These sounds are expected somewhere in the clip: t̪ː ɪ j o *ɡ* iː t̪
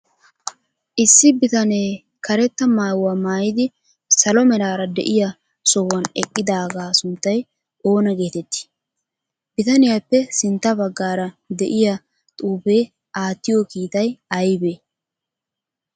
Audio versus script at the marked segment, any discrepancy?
yes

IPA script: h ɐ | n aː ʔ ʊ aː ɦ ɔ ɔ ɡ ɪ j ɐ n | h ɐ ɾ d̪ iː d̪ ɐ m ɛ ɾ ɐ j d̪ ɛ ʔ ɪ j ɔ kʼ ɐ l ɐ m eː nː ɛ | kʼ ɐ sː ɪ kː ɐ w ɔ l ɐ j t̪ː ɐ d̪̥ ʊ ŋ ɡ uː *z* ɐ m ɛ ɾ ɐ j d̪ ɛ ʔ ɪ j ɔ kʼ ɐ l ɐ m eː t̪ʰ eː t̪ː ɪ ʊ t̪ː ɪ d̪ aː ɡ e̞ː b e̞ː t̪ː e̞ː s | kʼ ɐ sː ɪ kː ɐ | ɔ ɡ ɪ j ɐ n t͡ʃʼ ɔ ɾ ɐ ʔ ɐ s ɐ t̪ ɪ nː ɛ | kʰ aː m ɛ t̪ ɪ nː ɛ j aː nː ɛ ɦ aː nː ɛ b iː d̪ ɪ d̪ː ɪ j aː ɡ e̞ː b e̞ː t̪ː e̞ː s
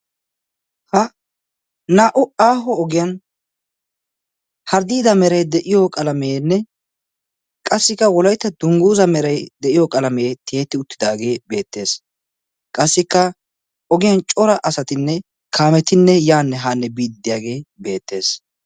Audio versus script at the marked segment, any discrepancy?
no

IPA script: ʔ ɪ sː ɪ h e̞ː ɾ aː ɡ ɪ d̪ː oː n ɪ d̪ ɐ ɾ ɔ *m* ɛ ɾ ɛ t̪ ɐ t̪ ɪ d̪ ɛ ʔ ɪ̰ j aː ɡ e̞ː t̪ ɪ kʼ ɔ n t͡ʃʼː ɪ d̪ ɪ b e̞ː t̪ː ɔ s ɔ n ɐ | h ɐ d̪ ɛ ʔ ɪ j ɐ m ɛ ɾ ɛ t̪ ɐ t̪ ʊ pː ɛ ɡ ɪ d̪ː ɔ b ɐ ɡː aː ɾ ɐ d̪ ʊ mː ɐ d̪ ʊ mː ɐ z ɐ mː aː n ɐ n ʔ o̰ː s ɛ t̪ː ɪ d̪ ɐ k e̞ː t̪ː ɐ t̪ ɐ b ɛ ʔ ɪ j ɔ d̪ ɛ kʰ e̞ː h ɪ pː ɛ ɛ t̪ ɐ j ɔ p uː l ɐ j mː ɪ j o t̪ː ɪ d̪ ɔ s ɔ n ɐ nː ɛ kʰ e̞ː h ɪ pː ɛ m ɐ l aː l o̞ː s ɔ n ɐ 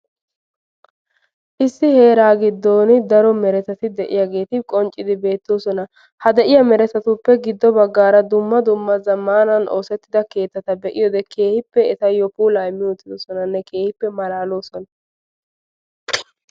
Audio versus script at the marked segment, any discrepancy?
no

